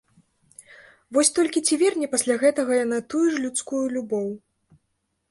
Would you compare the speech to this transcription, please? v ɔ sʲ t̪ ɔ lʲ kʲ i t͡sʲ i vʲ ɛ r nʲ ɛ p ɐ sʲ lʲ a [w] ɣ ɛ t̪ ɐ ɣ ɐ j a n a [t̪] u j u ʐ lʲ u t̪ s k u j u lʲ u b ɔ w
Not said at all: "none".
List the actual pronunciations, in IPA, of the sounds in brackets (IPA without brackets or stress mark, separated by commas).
none, t̪